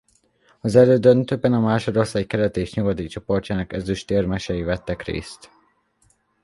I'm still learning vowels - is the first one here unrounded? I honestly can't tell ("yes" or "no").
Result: no